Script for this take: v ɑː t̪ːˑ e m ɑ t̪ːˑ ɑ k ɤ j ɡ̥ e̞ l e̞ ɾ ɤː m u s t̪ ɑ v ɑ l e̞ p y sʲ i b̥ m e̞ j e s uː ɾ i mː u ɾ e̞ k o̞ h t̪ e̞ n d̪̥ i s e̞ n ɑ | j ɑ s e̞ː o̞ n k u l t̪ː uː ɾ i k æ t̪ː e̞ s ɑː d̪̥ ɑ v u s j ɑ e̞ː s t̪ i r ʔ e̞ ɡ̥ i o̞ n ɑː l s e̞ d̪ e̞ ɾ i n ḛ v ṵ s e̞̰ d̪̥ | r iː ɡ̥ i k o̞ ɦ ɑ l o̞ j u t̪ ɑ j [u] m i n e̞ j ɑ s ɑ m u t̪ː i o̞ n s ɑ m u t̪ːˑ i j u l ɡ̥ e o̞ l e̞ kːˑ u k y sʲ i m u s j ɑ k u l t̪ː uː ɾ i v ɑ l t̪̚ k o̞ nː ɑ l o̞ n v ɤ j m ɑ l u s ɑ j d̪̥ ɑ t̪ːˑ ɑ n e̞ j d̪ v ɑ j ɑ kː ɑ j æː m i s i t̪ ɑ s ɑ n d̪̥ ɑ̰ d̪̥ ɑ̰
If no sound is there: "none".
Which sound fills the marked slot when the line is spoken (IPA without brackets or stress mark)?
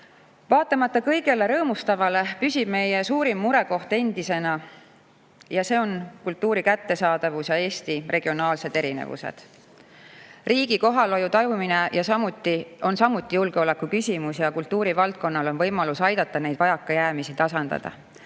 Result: u